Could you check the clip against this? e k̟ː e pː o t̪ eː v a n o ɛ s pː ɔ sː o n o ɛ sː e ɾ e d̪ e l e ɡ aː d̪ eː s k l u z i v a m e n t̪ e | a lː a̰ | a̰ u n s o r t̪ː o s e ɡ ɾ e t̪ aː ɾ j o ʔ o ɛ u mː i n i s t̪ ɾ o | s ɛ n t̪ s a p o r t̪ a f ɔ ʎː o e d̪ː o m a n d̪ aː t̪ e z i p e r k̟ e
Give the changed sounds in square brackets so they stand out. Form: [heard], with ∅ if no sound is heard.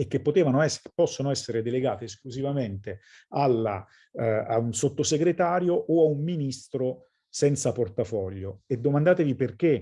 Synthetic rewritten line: e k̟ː e pː o t̪ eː v a n o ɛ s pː ɔ sː o n o ɛ sː e ɾ e d̪ e l e ɡ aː [t̪] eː s k l u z i v a m e n t̪ e | a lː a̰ | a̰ u n s o [∅] t̪ː o s e ɡ ɾ e t̪ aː ɾ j o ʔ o [a] u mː i n i s t̪ ɾ o | s ɛ n t̪ s a p o r t̪ a f ɔ ʎː o e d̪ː o m a n d̪ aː t̪ e [v] i p e r k̟ e

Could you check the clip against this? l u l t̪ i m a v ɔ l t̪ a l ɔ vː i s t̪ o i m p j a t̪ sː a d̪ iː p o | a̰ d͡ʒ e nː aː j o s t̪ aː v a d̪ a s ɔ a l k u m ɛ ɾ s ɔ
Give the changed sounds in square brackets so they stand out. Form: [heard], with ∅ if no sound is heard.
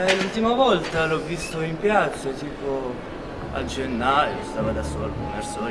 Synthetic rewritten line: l u l t̪ i m a v ɔ l t̪ a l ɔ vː i s t̪ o i m p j a t̪ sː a [t̪] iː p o | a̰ d͡ʒ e nː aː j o s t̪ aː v a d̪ a s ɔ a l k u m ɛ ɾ s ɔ

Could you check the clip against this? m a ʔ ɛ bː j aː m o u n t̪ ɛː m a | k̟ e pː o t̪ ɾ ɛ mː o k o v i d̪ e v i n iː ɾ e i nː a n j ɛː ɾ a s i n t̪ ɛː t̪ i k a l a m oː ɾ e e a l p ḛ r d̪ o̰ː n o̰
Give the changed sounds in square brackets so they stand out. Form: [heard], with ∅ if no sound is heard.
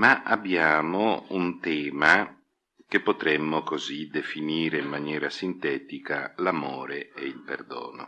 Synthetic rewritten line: m a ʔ [a] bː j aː m o u n t̪ ɛː m a | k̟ e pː o t̪ ɾ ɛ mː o k o [z] i d̪ e [f] i n iː ɾ e i [mː] a n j ɛː ɾ a s i n t̪ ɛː t̪ i k a l a m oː ɾ e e [i] l p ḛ r d̪ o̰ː n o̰

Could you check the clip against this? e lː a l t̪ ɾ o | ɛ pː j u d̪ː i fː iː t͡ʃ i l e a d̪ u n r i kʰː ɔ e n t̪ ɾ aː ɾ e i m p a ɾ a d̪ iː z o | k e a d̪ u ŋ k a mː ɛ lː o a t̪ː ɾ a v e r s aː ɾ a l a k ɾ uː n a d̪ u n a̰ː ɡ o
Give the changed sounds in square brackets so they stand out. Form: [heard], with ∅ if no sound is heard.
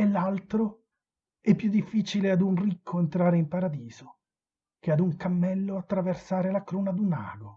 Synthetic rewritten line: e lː a l t̪ ɾ o | ɛ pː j u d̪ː i fː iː t͡ʃ i l e a d̪ u n r i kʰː [o] e n t̪ ɾ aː ɾ e i m p a ɾ a d̪ iː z o | k e a d̪ u ŋ k a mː ɛ lː o a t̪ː ɾ a v e r s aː ɾ [e] l a k ɾ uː n a d̪ u n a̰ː ɡ o

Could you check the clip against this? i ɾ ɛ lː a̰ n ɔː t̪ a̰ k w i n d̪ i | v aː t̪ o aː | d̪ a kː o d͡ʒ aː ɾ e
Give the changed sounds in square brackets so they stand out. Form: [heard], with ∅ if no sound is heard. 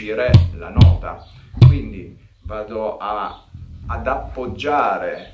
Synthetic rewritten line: i ɾ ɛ [l] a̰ n ɔː t̪ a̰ k w i n d̪ i | v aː [d̪] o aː | d̪ a [pː] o [d͡ʒː] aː ɾ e

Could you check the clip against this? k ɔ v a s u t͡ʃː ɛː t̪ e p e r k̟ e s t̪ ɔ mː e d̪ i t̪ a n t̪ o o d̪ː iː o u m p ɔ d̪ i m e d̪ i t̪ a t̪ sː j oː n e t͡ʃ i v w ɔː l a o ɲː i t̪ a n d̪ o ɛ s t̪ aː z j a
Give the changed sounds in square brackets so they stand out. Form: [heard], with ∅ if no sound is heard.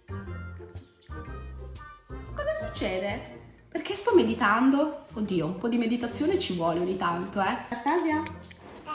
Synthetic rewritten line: k ɔ [z] a s u t͡ʃː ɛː [d̪] e p e r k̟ e s t̪ ɔ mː e d̪ i t̪ a n [d̪] o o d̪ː iː o u m p ɔ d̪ i m e d̪ i t̪ a t̪ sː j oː n e t͡ʃ i v w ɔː l [e] o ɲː i t̪ a n [t̪] o ɛ s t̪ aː z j a

